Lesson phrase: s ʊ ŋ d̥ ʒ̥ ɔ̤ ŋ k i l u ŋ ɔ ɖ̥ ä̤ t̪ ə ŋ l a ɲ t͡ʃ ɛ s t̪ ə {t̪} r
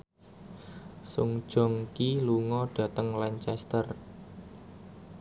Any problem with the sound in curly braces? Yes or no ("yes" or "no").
yes